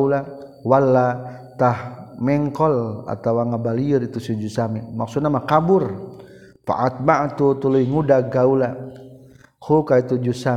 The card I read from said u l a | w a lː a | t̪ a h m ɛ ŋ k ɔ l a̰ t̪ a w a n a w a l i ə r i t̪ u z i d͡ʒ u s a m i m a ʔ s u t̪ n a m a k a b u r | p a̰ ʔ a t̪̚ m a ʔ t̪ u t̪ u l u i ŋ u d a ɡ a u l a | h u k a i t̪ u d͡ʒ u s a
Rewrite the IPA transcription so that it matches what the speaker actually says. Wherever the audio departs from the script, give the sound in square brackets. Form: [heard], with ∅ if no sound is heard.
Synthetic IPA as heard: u l a | w a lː a | t̪ a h m ɛ ŋ k ɔ l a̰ t̪ a w a [ŋ] a [b] a l i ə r i t̪ u [s] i d͡ʒ u s a m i m a [k] s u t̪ n a m a k a b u r | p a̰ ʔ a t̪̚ m a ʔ t̪ u t̪ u l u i ŋ u d a ɡ a u l a | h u k a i t̪ u d͡ʒ u s a